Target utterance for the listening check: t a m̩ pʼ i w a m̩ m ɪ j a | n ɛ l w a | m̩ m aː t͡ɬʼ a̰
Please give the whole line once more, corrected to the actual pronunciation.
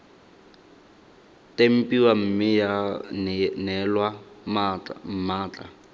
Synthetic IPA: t e m̩ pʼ i w a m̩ m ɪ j a | n ɛ l w a | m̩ m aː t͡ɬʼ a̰